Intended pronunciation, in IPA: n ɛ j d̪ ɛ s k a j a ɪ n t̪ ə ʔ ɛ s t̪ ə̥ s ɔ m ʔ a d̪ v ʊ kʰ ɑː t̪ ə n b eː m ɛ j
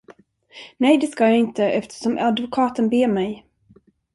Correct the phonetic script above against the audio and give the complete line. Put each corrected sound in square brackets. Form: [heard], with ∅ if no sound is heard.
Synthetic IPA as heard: n ɛ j d̪ ɛ s k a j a ɪ n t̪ ə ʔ ɛ [f] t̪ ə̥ [ʂ] ɔ m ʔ a d̪ v ʊ kʰ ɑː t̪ ə n b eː m ɛ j